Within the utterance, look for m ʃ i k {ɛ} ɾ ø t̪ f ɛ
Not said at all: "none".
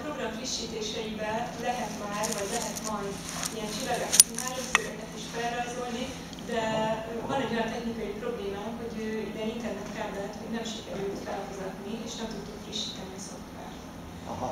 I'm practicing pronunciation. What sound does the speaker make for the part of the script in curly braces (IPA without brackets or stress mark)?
ɛ